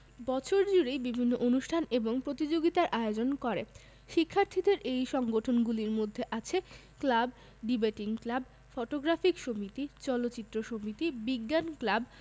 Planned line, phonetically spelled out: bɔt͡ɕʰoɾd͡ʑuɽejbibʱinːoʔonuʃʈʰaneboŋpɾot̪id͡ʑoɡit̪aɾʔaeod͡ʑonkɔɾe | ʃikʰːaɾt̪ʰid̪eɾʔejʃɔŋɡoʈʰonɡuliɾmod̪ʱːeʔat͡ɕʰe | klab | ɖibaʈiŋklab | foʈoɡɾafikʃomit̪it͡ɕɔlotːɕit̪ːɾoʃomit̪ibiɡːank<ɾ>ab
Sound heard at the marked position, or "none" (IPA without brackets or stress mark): l